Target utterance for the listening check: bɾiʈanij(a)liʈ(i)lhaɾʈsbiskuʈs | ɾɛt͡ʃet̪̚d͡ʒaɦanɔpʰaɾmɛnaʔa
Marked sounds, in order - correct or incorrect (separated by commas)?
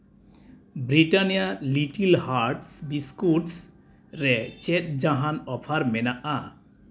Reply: correct, correct